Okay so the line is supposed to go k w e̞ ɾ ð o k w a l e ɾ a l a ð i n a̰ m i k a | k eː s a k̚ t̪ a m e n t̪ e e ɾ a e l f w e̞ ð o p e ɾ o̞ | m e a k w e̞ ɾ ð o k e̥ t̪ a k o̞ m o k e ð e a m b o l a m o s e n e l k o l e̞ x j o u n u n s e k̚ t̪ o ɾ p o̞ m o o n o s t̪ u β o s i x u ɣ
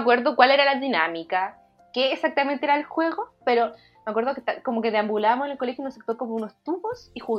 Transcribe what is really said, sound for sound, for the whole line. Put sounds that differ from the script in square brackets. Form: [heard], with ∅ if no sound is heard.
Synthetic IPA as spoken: k w e̞ ɾ ð o k w a l e ɾ a l a ð i n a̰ m i k a | k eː s a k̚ t̪ a m e n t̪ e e ɾ a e l [x] w e̞ [ɣ] o p e ɾ o̞ | m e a k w e̞ ɾ ð o k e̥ t̪ a k o̞ m o k e ð e a m b [u] l a m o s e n e l k o l e̞ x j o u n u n s e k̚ t̪ o ɾ [k] o̞ m o [u] n o s t̪ u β o s i x u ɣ